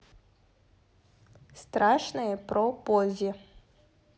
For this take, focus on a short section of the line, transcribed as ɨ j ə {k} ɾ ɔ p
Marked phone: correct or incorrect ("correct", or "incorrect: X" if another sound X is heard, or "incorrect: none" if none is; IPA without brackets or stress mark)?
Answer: incorrect: p